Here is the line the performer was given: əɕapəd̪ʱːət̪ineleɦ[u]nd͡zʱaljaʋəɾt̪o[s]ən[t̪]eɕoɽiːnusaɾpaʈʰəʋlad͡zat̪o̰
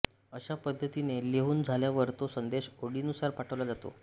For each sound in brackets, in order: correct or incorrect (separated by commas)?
incorrect, correct, incorrect